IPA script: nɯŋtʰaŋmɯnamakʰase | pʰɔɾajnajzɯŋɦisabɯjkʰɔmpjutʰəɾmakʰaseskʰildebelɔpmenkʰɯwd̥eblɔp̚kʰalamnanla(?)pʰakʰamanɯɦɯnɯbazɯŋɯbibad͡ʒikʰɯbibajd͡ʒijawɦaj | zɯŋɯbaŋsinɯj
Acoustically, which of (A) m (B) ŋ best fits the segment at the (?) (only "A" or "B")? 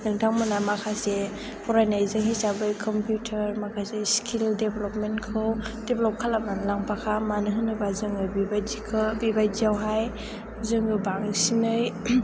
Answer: B